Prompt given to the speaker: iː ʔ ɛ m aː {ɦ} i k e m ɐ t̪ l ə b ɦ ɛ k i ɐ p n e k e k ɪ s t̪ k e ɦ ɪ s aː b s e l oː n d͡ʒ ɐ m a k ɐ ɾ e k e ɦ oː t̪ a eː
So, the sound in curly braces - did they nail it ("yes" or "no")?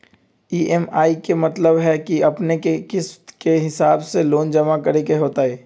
no